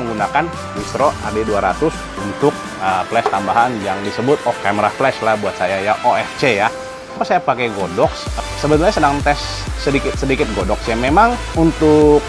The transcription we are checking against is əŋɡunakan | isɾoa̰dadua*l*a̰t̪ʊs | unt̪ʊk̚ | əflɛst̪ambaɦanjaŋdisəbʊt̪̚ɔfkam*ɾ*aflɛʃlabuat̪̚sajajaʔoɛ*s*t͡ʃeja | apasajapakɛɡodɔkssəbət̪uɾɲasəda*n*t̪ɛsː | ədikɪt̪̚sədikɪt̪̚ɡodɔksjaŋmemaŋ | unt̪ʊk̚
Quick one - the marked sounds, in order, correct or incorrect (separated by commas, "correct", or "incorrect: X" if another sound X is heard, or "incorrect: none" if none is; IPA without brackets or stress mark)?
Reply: incorrect: ɾ, correct, incorrect: f, incorrect: ŋ